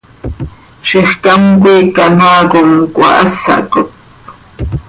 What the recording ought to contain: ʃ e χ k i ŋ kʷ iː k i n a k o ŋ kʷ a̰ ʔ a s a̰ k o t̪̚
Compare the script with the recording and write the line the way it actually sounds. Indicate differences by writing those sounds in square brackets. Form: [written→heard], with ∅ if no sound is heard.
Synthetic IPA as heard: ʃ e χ k [i→a] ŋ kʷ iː k [i→a] n a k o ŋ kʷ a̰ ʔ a s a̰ k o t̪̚